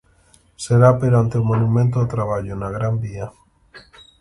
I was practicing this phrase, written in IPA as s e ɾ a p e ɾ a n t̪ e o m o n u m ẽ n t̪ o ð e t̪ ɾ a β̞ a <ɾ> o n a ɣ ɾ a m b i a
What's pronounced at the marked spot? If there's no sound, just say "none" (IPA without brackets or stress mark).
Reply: ʎ